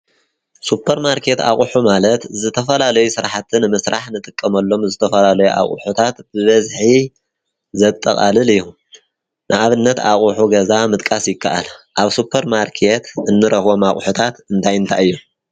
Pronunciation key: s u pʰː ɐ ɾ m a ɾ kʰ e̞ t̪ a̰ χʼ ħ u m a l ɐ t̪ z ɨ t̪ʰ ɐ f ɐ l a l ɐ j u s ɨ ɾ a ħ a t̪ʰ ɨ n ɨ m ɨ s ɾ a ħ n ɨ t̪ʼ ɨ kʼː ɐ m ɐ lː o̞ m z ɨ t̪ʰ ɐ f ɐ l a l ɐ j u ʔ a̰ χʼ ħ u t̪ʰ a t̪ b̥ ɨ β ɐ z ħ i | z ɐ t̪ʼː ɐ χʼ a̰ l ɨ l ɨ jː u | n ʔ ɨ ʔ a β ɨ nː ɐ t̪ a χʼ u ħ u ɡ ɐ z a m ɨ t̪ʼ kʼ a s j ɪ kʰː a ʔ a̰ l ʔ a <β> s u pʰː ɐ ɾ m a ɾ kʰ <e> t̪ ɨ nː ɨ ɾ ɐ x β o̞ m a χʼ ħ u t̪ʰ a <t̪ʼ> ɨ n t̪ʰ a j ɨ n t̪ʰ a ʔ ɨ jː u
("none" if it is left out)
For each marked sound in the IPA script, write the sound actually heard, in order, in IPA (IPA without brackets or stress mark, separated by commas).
β, e, t̪